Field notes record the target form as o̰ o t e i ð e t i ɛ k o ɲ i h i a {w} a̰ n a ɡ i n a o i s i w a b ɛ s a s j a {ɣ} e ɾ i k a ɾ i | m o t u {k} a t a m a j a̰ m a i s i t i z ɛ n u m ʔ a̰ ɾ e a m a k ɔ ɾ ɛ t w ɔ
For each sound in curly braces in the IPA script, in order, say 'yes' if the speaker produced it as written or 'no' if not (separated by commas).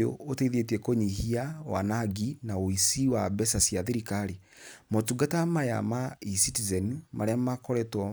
yes, no, no